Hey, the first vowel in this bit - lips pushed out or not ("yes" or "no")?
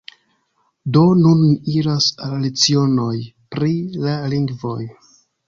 yes